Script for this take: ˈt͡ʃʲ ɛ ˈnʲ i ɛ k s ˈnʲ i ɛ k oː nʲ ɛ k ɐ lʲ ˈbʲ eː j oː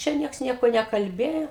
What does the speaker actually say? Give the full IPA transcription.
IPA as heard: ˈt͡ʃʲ ɛ ˈnʲ i ɛ k s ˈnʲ i ɛ k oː nʲ ɛ k ɐ lʲ ˈbʲ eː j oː